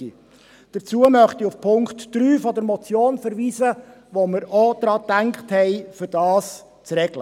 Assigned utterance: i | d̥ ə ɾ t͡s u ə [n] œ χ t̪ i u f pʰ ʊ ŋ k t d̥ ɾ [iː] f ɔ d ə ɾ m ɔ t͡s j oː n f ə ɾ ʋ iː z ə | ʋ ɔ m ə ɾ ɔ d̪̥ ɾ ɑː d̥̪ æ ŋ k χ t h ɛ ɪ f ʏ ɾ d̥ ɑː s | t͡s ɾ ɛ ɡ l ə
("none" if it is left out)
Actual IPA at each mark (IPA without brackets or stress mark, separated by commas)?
m, yː